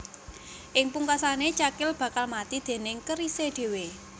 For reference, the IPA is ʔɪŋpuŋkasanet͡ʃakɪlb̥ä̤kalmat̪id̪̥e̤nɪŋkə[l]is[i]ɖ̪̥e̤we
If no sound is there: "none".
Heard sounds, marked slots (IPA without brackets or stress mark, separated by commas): ɾ, e